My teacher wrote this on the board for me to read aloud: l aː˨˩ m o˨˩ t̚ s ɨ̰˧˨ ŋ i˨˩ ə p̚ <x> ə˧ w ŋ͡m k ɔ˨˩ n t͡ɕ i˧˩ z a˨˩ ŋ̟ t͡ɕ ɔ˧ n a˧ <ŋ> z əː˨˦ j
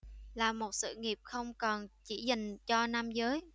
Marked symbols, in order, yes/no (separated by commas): yes, no